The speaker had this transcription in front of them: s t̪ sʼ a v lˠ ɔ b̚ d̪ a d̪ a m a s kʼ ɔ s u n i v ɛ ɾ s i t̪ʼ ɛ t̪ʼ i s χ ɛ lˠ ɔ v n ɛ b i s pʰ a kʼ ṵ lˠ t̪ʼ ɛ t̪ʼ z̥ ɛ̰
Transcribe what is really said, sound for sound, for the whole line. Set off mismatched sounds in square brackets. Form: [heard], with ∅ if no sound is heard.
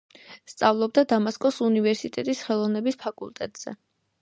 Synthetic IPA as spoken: s t̪ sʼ a v lˠ ɔ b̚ d̪ a d̪ a m a s kʼ ɔ s u n i v ɛ ɾ s i t̪ʼ ɛ t̪ʼ i s χ ɛ lˠ ɔ v n ɛ b i s pʰ a kʼ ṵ lˠ t̪ʼ ɛ t̪ʼ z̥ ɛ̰